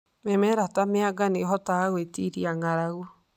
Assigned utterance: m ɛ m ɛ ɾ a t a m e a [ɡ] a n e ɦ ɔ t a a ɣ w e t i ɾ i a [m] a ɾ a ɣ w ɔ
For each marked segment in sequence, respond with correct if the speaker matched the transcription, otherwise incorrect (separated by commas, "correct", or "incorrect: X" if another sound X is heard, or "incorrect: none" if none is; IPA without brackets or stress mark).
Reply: correct, incorrect: ŋ